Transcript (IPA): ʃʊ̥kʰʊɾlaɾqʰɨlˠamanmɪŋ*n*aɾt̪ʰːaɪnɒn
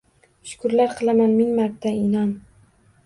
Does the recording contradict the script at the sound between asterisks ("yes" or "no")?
yes